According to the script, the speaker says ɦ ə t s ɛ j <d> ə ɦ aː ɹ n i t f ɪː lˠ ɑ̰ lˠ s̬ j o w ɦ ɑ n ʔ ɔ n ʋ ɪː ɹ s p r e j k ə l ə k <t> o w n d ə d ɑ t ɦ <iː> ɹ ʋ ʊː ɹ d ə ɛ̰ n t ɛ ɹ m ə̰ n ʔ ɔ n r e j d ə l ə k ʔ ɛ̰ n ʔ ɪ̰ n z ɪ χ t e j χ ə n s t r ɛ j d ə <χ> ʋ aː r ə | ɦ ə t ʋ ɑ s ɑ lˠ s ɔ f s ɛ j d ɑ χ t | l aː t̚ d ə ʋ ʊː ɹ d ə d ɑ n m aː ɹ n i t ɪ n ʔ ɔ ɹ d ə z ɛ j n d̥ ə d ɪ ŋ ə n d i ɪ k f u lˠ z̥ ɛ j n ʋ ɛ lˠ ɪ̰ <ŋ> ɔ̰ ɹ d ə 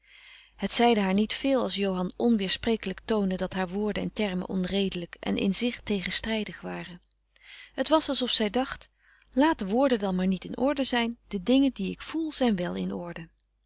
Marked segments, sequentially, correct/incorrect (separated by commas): correct, correct, incorrect, correct, incorrect